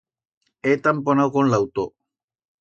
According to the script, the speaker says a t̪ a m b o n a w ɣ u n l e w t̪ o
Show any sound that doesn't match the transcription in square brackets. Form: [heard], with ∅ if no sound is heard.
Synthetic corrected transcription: [e] t̪ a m [p] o n a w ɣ [o] n l [a] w t̪ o